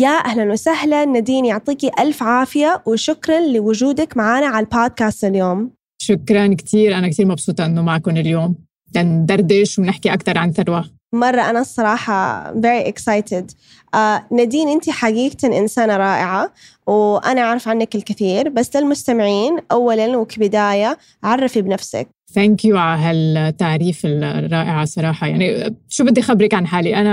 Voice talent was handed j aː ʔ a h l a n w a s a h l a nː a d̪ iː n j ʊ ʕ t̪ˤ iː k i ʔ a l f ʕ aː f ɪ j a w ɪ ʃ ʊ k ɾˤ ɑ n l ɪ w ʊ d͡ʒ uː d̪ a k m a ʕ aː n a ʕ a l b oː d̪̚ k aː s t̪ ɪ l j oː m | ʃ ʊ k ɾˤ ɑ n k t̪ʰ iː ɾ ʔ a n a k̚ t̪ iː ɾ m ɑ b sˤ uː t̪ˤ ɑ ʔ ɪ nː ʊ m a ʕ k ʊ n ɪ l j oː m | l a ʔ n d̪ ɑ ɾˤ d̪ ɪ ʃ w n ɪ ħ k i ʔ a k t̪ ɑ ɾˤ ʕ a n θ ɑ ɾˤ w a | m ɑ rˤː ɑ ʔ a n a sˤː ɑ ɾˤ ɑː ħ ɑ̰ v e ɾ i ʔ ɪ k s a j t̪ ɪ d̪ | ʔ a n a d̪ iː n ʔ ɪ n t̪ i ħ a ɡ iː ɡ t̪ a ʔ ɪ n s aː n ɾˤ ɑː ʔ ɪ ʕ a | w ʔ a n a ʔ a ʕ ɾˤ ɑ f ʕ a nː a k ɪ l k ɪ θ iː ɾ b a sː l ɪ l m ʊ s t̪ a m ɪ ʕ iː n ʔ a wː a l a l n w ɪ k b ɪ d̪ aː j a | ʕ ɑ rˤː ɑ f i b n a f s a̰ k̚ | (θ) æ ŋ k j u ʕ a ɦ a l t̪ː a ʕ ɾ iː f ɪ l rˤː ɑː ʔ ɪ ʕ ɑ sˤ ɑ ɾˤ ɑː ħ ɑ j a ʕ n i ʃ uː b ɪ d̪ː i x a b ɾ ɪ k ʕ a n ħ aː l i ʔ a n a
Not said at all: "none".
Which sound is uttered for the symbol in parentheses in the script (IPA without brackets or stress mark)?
θ